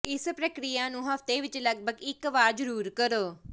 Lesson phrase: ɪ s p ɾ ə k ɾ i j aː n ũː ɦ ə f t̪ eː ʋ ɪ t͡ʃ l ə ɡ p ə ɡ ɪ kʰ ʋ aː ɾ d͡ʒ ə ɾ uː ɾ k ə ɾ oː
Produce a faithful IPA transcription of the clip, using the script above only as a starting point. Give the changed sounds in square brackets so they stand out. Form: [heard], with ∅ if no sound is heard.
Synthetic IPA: ɪ s p ɾ ə k ɾ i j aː n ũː ɦ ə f t̪ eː ʋ ɪ t͡ʃ l ə ɡ [b] ə ɡ ɪ [k] ʋ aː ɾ d͡ʒ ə ɾ uː ɾ k ə ɾ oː